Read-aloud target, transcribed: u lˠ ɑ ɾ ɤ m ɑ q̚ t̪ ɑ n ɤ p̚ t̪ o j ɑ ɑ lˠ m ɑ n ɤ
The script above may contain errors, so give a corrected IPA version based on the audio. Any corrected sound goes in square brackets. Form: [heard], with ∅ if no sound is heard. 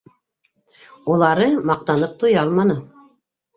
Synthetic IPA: u lˠ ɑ ɾ ɤ m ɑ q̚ t̪ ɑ n ɤ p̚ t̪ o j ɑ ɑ lˠ m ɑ n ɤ

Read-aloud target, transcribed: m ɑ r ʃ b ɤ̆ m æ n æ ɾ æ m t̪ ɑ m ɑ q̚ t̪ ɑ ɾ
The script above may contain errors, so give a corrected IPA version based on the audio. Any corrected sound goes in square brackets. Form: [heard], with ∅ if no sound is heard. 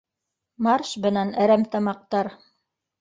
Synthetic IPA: m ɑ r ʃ b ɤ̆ [n] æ n æ ɾ æ m t̪ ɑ m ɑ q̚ t̪ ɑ ɾ

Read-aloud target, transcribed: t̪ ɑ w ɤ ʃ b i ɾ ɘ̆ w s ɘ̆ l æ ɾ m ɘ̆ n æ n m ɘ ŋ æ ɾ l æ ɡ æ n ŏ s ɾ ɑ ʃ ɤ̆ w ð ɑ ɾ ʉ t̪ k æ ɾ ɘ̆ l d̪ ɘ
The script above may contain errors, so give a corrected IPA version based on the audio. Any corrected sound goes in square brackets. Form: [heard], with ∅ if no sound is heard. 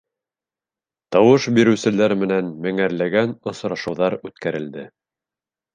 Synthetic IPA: t̪ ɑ w ɤ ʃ b i ɾ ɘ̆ w s ɘ̆ l æ ɾ m ɘ̆ n æ n m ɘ ŋ æ ɾ l æ ɡ æ n ŏ s ɾ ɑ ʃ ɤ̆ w ð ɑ ɾ ʉ t̪ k æ ɾ ɘ̆ l d̪ ɘ

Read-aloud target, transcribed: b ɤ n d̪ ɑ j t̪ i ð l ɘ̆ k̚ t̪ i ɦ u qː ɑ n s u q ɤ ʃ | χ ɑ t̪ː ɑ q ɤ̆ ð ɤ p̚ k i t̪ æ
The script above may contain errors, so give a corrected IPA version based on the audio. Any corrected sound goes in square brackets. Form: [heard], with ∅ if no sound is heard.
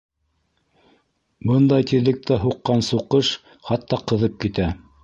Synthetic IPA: b ɤ n d̪ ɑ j t̪ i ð l ɘ̆ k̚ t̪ [æ] ɦ u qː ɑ n s u q ɤ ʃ | χ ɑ t̪ː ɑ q ɤ̆ ð ɤ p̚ k i t̪ æ

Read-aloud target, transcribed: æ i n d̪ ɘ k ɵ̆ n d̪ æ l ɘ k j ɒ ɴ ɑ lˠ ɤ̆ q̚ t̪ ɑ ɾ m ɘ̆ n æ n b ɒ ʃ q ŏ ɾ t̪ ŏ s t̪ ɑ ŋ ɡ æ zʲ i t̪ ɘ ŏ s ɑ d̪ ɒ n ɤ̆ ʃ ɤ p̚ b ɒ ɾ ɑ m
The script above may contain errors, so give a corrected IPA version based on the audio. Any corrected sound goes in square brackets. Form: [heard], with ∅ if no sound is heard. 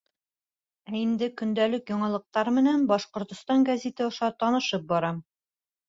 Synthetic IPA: æ i n d̪ ɘ k ɵ̆ n d̪ æ l ɘ k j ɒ ɴ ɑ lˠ ɤ̆ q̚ t̪ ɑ ɾ m ɘ̆ n æ n b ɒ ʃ q ŏ ɾ t̪ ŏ s t̪ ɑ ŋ ɡ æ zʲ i t̪ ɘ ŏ [ʃ] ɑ [t̪] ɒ n ɤ̆ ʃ ɤ p̚ b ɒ ɾ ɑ m

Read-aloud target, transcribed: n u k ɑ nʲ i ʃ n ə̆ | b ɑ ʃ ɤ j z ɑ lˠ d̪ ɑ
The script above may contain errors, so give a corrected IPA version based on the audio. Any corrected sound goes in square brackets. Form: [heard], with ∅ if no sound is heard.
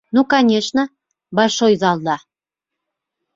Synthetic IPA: n u k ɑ nʲ [e] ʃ n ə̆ | b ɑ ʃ [o] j z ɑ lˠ d̪ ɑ

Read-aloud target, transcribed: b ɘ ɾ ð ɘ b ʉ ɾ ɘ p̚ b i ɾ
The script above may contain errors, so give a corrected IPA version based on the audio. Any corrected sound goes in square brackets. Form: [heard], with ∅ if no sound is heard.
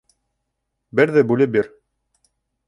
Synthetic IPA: b ɘ ɾ ð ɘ b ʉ [l] ɘ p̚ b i ɾ

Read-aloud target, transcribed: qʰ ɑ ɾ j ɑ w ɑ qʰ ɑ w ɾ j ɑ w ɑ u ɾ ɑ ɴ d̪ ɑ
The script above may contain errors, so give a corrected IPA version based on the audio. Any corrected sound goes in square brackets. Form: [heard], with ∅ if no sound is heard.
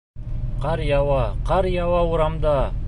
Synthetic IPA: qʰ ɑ ɾ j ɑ w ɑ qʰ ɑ [∅] ɾ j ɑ w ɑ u ɾ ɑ [m] d̪ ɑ

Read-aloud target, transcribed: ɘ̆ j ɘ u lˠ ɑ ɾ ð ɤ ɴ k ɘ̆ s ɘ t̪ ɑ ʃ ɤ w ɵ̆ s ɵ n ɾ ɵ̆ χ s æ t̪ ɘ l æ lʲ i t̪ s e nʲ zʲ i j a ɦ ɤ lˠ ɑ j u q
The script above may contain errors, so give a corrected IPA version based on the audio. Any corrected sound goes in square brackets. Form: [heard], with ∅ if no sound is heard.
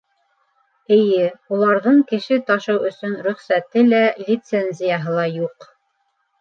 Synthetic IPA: ɘ̆ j ɘ u lˠ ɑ ɾ ð ɤ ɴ k ɘ̆ [ʃ] ɘ t̪ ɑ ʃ ɤ w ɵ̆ s ɵ n ɾ ɵ̆ χ s æ t̪ ɘ l æ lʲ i t̪ s e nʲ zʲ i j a ɦ ɤ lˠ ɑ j u q

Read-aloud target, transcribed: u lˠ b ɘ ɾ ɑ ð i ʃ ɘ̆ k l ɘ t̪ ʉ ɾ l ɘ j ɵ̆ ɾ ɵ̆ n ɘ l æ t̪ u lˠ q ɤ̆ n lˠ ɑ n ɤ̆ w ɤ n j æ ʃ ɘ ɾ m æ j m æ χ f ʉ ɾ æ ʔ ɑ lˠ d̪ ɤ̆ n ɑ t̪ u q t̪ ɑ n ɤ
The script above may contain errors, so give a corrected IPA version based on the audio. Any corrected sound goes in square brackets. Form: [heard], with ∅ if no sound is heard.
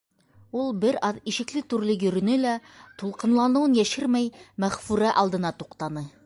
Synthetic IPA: u lˠ b ɘ ɾ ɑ ð i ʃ ɘ̆ k l ɘ t̪ ʉ ɾ l ɘ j ɵ̆ ɾ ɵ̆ n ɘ l æ t̪ u lˠ q ɤ̆ n lˠ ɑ n ɤ̆ w ɤ n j æ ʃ ɘ ɾ m æ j m æ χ f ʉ ɾ æ ʔ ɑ lˠ d̪ ɤ̆ n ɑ t̪ u q t̪ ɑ n ɤ

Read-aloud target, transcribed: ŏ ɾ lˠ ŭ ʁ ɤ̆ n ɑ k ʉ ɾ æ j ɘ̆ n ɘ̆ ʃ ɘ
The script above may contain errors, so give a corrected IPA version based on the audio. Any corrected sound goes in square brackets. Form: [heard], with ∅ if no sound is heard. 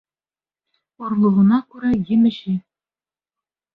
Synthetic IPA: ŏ ɾ lˠ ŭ ʁ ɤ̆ n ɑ k ʉ ɾ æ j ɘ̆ [m] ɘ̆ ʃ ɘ

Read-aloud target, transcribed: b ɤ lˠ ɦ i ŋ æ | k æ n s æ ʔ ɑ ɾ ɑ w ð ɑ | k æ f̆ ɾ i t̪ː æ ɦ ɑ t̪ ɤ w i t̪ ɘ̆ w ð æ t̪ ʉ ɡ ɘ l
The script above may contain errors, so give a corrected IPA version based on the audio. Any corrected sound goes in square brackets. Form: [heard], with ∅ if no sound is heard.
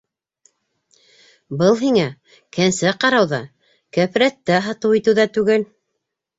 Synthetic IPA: b ɤ lˠ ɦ i ŋ æ | k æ n s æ [q] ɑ ɾ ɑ w ð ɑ | k æ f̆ ɾ [æ] t̪ː æ ɦ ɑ t̪ ɤ w i t̪ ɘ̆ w ð æ t̪ ʉ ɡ ɘ l

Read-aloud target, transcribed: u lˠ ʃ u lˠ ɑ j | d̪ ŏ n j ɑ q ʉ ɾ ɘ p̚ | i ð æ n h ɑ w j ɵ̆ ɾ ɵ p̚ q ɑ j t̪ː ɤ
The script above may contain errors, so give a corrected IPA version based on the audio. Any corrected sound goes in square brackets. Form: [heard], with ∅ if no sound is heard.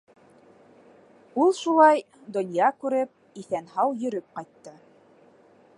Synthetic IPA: u lˠ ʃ u lˠ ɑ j | d̪ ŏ n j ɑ [k] ʉ ɾ ɘ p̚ | i [θ] æ n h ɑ w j ɵ̆ ɾ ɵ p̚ q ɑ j t̪ː ɤ

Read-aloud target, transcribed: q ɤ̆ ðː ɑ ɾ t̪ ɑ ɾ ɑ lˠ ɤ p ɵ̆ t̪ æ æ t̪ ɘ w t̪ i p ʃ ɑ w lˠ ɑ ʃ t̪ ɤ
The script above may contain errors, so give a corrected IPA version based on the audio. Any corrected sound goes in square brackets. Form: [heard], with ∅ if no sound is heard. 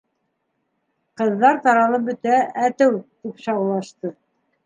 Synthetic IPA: q ɤ̆ ðː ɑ ɾ t̪ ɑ ɾ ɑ lˠ ɤ [b] ɵ̆ t̪ æ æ t̪ ɘ w t̪ i p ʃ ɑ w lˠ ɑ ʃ t̪ ɤ

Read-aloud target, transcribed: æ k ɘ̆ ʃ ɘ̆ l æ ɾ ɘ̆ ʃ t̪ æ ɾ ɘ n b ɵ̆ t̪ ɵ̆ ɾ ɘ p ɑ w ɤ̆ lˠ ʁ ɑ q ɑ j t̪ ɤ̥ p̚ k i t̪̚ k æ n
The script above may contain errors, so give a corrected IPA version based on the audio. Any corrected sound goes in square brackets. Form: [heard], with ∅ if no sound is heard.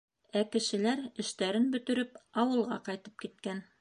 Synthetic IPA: æ k ɘ̆ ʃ ɘ̆ l æ ɾ ɘ̆ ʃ t̪ æ ɾ ɘ n b ɵ̆ t̪ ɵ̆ ɾ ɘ p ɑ w ɤ̆ lˠ ʁ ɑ q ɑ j t̪ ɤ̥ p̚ k i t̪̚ k æ n

